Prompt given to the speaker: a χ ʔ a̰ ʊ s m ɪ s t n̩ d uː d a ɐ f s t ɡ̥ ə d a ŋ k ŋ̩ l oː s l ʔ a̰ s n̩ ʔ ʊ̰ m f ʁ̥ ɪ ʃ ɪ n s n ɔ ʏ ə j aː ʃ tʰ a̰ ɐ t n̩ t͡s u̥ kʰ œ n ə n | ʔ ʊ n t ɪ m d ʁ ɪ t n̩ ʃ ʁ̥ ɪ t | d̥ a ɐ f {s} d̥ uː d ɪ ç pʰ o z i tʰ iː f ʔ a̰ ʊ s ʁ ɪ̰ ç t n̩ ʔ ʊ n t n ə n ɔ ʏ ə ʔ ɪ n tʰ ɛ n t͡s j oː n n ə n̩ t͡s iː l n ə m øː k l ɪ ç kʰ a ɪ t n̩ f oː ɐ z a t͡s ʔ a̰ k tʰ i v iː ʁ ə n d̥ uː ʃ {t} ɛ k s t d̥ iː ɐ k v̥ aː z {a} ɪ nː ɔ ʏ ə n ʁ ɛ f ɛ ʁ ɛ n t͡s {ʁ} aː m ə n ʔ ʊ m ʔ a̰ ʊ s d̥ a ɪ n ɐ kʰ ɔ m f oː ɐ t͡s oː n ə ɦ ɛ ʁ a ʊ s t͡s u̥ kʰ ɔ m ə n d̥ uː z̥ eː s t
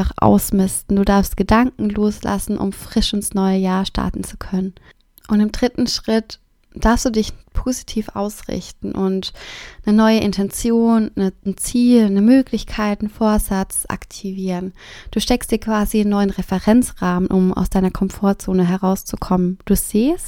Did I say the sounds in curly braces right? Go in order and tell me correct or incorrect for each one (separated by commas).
correct, correct, incorrect, correct